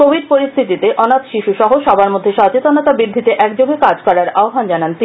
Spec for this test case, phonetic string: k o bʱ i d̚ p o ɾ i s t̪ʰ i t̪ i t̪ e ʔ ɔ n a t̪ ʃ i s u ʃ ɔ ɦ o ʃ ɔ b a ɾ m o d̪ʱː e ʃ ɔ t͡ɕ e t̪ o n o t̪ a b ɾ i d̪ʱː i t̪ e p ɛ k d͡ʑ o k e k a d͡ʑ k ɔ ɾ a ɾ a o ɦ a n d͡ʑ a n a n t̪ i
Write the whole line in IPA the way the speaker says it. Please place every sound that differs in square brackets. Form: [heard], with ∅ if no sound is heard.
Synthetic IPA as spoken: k o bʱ i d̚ p o ɾ i s t̪ʰ i t̪ i t̪ e ʔ ɔ n a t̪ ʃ i [ʃ] u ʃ ɔ ɦ o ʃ ɔ b a ɾ m o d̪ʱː e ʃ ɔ t͡ɕ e t̪ o n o t̪ a b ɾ i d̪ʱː i t̪ e [ʔ] ɛ k d͡ʑ o [ɡ] e k a d͡ʑ k ɔ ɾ a ɾ a o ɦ a n d͡ʑ a n a n t̪ i